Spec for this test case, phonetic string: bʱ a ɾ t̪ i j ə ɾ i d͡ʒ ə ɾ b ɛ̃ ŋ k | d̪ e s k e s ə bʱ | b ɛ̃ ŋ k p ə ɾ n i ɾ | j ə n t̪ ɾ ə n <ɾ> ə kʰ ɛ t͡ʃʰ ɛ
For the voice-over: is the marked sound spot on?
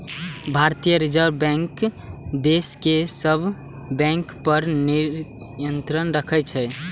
yes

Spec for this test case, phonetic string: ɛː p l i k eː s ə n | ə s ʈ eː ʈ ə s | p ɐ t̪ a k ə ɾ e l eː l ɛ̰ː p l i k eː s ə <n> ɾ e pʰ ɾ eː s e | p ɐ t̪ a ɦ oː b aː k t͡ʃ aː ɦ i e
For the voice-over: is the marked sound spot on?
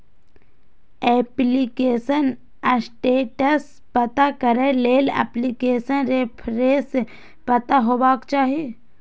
yes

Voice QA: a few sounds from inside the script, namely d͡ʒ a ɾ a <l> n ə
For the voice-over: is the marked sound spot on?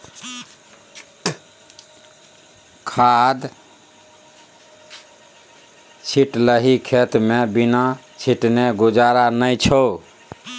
no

